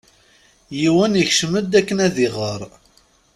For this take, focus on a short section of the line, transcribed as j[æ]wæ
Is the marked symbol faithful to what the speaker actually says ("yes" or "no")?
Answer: no